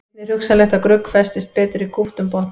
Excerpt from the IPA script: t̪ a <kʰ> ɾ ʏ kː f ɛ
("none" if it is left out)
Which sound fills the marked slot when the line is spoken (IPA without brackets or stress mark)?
k